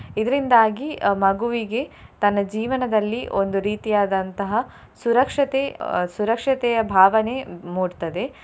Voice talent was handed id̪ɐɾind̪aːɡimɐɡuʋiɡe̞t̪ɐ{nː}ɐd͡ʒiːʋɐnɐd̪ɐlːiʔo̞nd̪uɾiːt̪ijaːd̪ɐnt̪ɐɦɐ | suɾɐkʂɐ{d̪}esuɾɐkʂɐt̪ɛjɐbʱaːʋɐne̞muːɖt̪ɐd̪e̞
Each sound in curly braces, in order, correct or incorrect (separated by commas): correct, incorrect